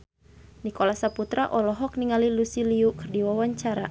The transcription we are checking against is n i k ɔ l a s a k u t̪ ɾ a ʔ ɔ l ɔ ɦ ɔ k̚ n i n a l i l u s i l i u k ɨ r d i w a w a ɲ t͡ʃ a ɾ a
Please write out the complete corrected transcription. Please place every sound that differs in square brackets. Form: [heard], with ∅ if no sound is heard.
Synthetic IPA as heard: n i k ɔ l a s a [p] u t̪ ɾ a ʔ ɔ l ɔ ɦ ɔ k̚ n i [ŋ] a l i l u s i l i u k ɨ r d i w a w a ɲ t͡ʃ a ɾ a